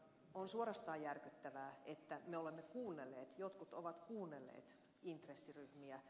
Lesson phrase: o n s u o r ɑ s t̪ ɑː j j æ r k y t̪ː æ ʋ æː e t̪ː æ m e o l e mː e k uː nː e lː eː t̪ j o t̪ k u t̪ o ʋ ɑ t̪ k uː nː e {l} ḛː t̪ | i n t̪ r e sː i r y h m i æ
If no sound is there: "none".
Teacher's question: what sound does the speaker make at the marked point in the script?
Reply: lː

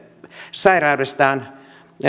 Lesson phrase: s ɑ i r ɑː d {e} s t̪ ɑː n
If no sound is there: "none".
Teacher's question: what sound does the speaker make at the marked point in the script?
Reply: e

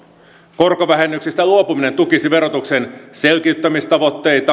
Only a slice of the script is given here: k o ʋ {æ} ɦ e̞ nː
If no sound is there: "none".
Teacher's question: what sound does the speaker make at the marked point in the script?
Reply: æ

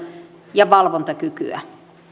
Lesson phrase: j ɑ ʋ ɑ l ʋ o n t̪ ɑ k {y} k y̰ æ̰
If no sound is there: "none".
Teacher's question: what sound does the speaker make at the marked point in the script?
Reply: y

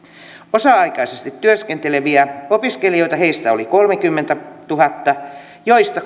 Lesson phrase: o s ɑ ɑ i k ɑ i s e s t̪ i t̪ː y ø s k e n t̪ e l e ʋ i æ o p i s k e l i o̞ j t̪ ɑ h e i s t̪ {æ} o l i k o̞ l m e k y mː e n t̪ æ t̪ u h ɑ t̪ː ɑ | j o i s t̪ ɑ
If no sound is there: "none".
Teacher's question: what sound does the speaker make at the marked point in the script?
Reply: æ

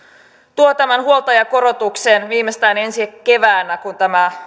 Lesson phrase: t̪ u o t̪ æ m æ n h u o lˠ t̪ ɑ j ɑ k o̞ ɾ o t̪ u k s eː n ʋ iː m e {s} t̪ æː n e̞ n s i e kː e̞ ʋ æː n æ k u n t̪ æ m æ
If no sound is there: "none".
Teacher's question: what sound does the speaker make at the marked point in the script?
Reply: s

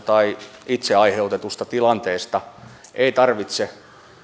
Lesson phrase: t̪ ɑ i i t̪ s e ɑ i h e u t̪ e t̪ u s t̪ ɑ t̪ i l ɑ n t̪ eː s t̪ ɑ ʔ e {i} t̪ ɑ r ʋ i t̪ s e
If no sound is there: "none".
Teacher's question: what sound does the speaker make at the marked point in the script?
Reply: i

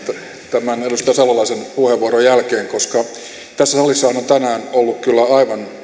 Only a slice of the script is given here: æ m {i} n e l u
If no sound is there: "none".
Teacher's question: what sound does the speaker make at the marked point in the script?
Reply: æ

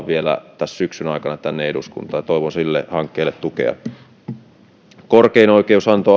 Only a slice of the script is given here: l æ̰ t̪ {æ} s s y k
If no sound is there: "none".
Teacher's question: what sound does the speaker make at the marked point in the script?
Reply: æ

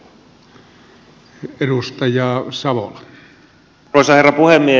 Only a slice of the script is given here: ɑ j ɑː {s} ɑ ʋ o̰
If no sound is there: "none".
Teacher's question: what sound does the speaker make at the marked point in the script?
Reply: s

